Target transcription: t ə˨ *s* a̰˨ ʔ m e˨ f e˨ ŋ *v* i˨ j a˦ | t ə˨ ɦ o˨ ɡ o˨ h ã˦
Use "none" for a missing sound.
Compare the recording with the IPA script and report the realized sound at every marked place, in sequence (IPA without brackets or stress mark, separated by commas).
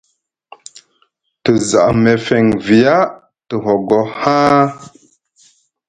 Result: z, v